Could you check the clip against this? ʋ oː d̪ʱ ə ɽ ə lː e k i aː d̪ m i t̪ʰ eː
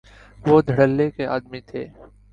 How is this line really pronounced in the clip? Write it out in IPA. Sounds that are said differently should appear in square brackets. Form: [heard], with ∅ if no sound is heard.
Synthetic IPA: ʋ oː d̪ʱ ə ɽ ə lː e k [e] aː d̪ m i t̪ʰ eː